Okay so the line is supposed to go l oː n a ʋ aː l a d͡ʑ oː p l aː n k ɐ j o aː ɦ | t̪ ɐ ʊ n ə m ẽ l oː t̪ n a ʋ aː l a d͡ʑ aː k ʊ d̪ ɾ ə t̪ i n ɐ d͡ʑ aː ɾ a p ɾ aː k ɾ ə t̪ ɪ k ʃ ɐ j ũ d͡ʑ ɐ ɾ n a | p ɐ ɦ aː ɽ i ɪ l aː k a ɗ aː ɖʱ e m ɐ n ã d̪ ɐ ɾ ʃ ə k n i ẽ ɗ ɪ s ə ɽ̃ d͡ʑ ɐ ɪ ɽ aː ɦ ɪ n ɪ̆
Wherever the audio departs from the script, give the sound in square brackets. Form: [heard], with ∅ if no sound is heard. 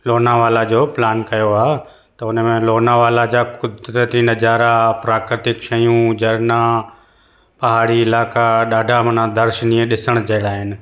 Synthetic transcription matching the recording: l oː n a ʋ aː l a d͡ʑ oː p l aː n k ɐ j o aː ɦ | t̪ ɐ ʊ n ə m ẽ l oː [∅] n a ʋ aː l a d͡ʑ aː k ʊ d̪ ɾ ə t̪ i n ɐ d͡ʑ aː ɾ a p ɾ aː k ɾ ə t̪ ɪ k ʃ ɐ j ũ d͡ʑ ɐ ɾ n a | p ɐ ɦ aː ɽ i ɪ l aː k a ɗ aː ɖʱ [a] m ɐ n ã d̪ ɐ ɾ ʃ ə [∅] n i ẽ ɗ ɪ s ə ɽ̃ d͡ʑ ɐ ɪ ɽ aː ɦ ɪ n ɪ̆